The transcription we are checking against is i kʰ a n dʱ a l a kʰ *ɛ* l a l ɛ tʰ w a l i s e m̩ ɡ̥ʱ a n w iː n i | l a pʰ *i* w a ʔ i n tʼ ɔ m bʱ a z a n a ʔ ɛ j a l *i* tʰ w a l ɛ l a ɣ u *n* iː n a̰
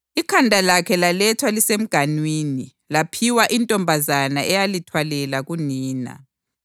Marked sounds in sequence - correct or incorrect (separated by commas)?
correct, correct, correct, correct